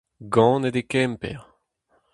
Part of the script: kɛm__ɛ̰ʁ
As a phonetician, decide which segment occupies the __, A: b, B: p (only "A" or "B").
B